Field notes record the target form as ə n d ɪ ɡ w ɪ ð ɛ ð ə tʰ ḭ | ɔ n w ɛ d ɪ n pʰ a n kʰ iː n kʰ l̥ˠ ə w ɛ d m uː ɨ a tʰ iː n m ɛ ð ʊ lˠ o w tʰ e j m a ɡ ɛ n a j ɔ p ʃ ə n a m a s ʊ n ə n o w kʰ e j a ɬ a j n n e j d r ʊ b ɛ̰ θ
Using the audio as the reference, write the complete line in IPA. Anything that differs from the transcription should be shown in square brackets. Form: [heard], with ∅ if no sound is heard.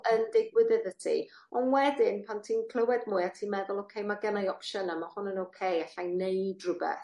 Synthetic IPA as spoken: ə n d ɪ ɡ w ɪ ð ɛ ð ə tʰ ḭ | ɔ n w ɛ d ɪ n pʰ a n [tʰ] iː n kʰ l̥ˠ ə w ɛ d m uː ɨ a tʰ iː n m ɛ ð ʊ lˠ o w [kʰ] e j m a ɡ ɛ n a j ɔ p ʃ ə n a m a [h] ʊ n ə n o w kʰ e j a ɬ a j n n e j d r ʊ b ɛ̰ θ